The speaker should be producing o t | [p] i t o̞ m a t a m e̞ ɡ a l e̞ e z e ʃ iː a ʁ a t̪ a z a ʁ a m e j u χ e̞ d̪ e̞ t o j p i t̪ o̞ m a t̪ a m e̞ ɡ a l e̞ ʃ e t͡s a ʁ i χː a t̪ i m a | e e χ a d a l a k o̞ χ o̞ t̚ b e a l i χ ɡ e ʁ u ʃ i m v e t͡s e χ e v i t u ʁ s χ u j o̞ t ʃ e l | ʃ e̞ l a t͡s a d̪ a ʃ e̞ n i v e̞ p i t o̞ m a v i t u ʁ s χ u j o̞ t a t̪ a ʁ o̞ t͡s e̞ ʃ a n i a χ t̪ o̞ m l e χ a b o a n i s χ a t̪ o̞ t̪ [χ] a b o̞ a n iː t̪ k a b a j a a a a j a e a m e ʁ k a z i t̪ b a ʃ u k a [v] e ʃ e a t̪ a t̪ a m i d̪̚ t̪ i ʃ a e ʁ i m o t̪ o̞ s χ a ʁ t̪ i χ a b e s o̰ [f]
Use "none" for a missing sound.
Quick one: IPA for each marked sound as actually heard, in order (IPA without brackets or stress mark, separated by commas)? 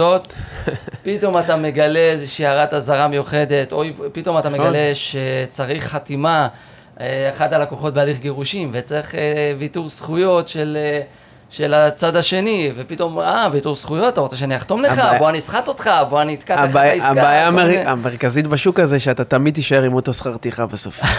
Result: p, χ, z, f